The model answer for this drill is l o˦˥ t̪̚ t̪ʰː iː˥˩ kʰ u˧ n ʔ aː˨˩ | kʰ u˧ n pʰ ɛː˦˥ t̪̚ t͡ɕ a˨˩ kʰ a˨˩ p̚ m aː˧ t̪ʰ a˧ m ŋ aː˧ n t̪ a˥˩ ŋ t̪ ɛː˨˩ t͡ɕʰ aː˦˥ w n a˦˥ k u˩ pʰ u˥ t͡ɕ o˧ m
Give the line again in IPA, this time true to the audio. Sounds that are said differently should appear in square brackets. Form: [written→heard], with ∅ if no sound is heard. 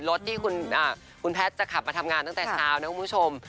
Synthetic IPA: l o˦˥ t̪̚ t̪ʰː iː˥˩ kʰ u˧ n ʔ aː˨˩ | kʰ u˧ n pʰ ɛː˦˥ t̪̚ t͡ɕ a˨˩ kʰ a˨˩ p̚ m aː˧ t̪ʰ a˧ m ŋ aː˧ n t̪ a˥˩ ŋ t̪ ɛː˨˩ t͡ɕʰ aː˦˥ w n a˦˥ k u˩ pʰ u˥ [t͡ɕ→t͡ɕʰ] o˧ m